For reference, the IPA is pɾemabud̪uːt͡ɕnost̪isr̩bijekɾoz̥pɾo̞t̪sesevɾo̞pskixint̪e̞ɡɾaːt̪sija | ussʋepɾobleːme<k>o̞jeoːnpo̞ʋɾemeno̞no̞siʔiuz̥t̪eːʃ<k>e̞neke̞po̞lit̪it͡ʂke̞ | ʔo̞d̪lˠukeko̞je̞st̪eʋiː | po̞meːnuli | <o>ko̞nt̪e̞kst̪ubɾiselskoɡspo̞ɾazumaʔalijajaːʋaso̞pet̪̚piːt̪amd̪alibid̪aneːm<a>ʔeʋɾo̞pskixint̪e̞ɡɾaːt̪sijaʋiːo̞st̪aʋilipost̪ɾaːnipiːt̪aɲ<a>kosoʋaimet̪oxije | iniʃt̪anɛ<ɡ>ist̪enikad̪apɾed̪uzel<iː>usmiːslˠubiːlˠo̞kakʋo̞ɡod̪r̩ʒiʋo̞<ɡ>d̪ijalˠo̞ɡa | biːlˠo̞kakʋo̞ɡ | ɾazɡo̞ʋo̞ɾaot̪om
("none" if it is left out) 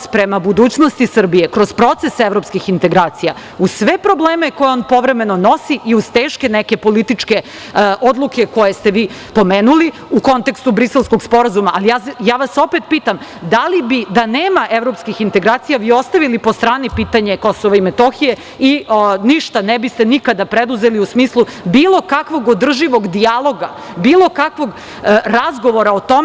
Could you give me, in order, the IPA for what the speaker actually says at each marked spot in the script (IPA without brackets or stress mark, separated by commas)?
k, k, u, a, e, b, i, ɡ